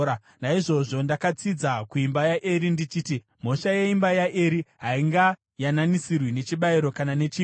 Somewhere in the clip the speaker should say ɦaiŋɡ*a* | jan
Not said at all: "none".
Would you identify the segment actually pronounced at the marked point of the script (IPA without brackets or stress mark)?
a